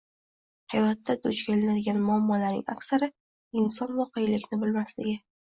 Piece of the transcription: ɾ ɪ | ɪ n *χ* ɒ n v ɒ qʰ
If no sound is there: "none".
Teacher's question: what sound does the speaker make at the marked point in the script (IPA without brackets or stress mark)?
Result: s